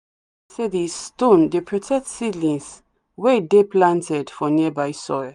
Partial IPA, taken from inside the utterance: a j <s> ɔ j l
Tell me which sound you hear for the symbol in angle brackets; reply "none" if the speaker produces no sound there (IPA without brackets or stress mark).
s